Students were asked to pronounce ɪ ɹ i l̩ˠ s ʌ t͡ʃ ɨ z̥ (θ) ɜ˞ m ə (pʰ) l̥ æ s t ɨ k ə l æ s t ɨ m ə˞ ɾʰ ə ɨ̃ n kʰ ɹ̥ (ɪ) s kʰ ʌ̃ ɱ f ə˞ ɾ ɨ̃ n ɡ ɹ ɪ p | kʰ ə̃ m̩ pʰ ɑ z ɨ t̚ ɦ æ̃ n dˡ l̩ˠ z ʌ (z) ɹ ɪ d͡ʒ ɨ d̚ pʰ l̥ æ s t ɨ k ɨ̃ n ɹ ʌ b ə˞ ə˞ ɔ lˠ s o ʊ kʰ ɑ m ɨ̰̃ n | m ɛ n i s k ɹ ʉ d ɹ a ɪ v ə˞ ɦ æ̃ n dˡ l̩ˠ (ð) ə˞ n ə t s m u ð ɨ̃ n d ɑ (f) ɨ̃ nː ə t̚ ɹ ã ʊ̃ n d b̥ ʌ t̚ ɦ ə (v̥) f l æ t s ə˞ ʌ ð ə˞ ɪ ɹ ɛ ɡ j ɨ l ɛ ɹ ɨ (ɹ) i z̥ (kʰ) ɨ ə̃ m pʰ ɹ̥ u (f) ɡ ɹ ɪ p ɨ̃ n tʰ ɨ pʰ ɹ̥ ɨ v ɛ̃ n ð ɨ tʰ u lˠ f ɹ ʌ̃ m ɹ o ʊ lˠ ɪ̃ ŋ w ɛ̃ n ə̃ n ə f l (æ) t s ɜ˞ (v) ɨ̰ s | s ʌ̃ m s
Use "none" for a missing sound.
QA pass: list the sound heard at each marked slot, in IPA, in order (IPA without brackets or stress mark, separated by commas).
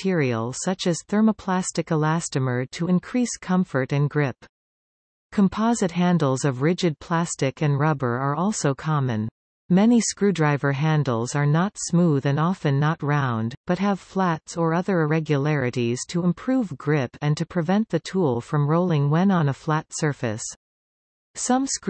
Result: θ, pʰ, i, v, z, f, v̥, ɾ, tʰ, v, æ, f